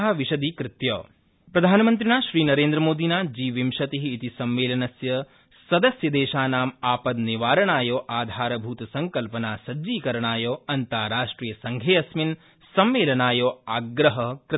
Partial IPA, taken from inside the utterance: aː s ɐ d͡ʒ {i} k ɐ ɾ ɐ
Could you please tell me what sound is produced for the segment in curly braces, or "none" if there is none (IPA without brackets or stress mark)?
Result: iː